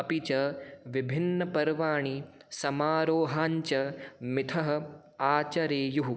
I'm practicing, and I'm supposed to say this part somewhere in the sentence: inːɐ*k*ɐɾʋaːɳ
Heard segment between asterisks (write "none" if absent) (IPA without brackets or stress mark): p